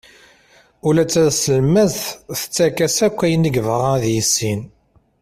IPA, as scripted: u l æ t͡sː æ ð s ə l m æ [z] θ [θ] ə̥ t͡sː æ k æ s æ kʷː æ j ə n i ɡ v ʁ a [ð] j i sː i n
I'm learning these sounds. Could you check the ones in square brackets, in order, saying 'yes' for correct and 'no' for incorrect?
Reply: yes, yes, yes

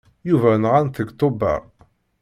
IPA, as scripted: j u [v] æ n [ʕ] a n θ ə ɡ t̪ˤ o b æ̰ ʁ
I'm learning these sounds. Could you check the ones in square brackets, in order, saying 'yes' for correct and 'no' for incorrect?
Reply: yes, no

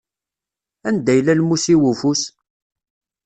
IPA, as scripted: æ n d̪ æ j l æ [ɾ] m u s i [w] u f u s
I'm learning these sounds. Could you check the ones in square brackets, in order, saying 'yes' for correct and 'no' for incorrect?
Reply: no, yes

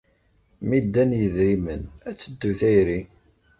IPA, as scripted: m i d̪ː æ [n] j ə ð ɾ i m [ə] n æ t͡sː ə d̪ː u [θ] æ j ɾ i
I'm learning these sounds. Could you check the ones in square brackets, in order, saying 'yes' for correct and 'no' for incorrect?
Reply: yes, yes, yes

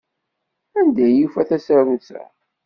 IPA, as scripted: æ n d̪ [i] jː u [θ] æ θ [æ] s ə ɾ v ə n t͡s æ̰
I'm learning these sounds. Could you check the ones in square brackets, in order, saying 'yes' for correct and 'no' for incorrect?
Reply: no, no, yes

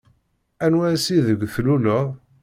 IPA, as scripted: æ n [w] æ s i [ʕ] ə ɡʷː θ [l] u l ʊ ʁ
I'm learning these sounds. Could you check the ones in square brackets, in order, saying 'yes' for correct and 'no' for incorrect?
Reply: yes, no, yes

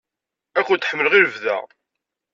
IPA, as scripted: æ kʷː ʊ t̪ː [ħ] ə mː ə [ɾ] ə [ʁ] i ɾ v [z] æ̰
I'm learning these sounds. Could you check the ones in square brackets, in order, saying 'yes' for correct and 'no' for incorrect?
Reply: yes, no, yes, no

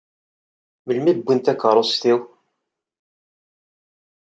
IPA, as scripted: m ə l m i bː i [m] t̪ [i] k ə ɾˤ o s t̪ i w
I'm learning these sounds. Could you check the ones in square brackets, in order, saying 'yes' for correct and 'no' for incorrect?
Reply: no, no

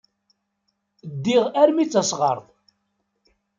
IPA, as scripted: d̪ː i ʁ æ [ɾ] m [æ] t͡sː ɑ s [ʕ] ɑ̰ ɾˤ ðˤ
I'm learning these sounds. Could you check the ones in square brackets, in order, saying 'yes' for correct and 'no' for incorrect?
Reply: yes, no, no

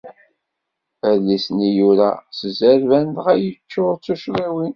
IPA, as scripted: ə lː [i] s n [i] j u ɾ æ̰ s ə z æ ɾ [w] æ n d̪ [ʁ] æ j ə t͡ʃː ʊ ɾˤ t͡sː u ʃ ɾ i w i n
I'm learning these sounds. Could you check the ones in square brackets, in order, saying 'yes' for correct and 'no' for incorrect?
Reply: yes, yes, no, yes

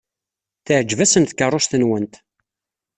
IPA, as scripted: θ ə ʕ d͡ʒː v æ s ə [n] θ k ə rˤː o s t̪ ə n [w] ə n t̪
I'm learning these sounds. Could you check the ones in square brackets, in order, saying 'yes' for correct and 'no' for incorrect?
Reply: yes, yes

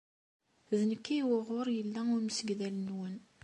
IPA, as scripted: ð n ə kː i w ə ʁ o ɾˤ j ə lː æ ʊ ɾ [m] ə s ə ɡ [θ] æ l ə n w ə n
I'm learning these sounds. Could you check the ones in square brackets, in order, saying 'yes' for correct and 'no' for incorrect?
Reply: yes, no

